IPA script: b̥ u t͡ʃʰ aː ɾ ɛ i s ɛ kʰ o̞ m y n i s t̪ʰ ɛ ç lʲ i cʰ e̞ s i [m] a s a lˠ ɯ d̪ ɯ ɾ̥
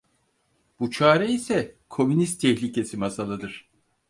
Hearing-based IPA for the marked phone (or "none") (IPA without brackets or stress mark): m